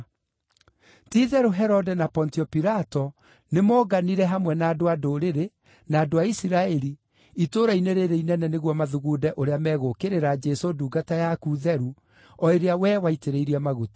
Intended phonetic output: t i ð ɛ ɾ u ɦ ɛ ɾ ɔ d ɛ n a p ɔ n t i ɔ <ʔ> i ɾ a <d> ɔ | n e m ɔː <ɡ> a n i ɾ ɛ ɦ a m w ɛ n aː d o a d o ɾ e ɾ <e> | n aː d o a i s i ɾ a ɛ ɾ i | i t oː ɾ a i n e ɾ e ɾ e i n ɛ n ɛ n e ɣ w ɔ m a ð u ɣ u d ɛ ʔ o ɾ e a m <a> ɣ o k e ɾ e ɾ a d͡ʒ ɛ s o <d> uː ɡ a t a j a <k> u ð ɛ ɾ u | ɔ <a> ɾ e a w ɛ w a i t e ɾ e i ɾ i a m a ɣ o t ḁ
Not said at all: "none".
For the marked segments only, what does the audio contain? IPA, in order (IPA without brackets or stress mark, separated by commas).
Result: p, t, ɡ, e, ɛ, d, k, e